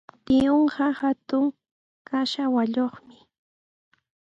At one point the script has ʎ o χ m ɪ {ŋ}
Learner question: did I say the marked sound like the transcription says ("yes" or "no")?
no